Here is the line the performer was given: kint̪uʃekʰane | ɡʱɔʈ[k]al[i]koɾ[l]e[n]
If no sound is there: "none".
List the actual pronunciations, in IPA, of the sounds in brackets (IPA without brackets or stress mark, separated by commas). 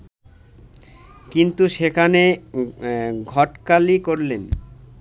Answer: k, i, l, n